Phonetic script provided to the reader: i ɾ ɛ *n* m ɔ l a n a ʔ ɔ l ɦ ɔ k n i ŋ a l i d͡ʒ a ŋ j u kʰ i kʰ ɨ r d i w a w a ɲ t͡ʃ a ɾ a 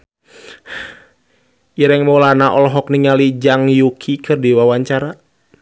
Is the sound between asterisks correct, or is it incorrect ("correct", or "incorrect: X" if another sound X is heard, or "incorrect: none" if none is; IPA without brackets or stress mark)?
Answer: incorrect: ŋ